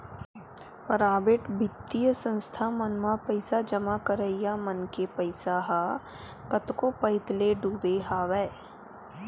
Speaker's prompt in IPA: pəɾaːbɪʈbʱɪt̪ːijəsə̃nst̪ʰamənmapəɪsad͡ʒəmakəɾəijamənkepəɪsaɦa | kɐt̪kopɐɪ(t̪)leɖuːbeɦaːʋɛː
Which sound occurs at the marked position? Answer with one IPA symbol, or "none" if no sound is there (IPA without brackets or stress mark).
t̪